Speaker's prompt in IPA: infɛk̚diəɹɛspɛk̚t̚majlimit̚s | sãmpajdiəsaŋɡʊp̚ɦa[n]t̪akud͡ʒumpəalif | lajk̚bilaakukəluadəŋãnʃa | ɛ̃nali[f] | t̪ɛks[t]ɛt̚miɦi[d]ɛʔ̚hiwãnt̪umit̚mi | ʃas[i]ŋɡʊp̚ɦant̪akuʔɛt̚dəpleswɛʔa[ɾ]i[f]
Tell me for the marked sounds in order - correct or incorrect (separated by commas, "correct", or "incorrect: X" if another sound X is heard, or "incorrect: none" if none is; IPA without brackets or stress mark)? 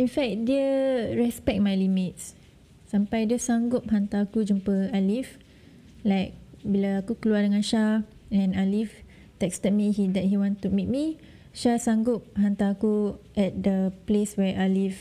correct, correct, correct, correct, incorrect: a, incorrect: l, correct